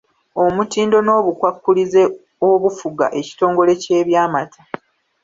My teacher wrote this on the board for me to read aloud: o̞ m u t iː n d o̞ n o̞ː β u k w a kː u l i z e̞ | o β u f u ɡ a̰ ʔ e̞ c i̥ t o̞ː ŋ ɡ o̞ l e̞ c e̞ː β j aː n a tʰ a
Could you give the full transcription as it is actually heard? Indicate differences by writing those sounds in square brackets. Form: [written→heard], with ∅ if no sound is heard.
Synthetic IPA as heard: o̞ m u t iː n d o̞ n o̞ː β u k w a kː u l i z e̞ | o β u f u ɡ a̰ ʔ e̞ c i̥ t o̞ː ŋ ɡ o̞ l e̞ c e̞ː β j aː [n→m] a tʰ a